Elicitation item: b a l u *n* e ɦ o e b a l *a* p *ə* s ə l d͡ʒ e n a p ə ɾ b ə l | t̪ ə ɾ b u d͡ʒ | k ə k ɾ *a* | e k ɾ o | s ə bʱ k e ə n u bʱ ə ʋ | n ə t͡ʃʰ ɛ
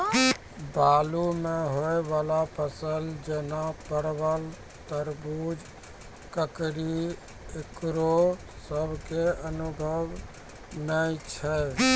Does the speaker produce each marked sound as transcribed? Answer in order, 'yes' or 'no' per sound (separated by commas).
no, yes, yes, no